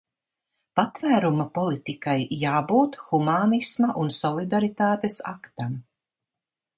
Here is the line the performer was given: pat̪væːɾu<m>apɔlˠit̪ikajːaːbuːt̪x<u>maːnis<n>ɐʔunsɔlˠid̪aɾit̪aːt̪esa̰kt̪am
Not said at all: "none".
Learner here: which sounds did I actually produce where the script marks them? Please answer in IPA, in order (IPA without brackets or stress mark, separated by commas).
m, u, m